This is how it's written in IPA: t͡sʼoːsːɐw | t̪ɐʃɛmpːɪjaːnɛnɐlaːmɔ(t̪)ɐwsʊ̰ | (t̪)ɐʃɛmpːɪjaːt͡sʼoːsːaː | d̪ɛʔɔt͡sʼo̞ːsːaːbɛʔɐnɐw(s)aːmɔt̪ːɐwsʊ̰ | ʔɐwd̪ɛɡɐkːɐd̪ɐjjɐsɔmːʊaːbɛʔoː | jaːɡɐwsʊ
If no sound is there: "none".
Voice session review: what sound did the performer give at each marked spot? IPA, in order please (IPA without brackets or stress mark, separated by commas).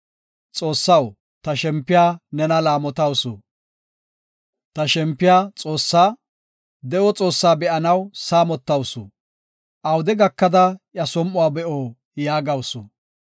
t̪, t̪, s